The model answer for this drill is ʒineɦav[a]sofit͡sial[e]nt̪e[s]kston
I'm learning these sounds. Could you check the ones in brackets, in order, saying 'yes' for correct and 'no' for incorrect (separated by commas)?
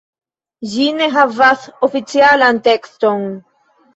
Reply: yes, no, no